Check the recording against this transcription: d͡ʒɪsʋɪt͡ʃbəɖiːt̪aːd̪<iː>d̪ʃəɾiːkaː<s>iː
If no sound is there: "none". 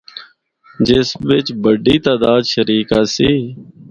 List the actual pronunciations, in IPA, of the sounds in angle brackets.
aː, s

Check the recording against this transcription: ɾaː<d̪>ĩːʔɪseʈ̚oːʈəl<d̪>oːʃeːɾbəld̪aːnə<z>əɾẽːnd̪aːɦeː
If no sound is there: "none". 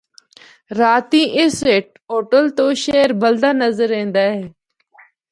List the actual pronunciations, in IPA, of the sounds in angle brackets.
t̪, t̪, z

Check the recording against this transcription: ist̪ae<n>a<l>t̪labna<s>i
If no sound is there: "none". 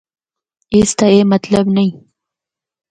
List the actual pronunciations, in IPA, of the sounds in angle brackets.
m, none, none

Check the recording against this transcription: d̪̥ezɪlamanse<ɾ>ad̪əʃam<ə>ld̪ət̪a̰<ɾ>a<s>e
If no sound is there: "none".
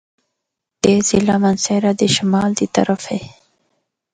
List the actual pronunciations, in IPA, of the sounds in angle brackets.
ɾ, ɑ, ɾ, f

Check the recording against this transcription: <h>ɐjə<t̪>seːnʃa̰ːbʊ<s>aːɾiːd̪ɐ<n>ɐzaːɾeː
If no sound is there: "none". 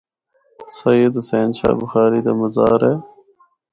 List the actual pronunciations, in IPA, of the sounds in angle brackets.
s, d̪, x, m

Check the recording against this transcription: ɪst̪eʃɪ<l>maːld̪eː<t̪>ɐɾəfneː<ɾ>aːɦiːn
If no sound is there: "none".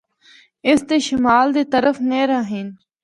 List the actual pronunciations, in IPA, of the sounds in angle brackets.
none, t̪, ɾ

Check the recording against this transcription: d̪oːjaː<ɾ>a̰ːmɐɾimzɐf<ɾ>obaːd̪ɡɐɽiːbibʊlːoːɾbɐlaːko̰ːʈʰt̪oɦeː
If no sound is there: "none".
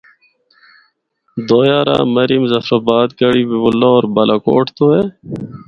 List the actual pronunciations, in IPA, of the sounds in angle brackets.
ɾ, ɾ

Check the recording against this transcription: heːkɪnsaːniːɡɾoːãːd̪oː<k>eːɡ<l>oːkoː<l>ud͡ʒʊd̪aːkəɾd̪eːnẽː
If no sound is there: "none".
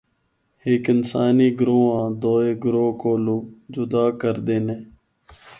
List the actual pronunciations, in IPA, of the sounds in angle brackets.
none, ɾ, l

